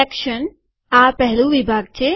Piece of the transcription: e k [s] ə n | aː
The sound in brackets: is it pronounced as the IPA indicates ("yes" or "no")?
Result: no